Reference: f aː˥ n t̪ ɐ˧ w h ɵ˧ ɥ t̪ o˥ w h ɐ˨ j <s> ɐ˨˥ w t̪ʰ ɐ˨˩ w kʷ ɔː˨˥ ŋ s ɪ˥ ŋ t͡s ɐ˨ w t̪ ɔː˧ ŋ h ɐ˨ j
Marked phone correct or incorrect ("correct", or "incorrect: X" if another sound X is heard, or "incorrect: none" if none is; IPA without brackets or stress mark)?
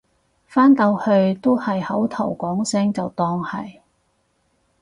incorrect: h